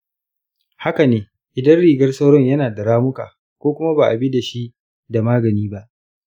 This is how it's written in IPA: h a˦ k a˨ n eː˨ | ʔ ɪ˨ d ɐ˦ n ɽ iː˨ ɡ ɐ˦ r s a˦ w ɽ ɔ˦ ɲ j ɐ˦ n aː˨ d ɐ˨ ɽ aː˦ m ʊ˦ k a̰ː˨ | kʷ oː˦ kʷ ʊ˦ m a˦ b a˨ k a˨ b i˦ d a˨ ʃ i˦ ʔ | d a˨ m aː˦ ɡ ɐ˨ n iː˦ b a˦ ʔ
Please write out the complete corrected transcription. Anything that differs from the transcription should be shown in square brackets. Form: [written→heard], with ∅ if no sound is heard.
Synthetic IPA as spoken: h a˦ k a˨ n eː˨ | ʔ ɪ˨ d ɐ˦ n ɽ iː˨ ɡ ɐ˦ r s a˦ w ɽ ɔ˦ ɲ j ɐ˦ n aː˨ d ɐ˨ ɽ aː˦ m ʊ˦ k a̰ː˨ | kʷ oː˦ kʷ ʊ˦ m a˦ b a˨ [k→ʔ] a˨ b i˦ d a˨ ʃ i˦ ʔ | d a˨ m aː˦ ɡ ɐ˨ n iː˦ b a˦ ʔ